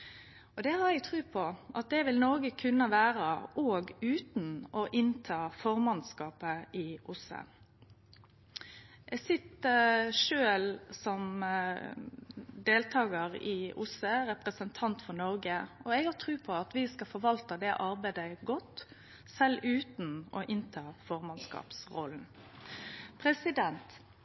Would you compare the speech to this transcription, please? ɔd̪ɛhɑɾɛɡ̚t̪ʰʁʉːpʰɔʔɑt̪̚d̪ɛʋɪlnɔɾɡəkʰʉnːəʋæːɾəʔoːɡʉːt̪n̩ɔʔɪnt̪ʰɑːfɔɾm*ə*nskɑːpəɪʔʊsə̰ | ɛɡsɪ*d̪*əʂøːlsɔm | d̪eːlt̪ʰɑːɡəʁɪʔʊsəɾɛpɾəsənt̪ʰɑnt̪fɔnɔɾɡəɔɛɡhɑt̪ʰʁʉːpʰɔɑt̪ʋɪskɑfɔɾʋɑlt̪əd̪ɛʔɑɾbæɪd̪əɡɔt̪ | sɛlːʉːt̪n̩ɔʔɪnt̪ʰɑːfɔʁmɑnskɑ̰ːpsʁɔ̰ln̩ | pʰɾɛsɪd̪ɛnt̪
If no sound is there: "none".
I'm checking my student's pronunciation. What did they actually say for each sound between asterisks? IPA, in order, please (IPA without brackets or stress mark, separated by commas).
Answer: ɑ, t̪